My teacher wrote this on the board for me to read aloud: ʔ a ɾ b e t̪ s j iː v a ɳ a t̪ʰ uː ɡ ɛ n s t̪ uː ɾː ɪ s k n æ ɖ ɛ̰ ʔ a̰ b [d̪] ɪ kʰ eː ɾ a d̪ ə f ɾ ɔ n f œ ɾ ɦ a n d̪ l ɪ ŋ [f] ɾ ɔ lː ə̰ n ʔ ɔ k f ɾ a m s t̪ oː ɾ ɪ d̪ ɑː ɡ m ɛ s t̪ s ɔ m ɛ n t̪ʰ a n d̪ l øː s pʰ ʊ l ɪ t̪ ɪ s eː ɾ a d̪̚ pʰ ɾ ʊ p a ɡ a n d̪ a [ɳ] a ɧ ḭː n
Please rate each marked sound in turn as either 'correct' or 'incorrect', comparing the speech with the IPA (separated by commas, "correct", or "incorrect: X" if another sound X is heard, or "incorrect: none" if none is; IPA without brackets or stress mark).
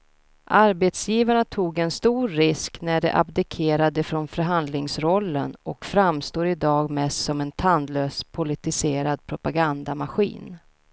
correct, incorrect: s, incorrect: m